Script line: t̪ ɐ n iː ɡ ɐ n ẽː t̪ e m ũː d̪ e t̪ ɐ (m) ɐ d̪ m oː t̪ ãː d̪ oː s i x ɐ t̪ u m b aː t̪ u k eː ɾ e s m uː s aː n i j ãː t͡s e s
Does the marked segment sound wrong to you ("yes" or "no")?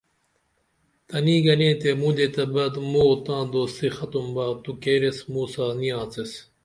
yes